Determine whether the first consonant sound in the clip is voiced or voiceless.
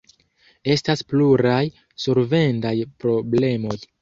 voiceless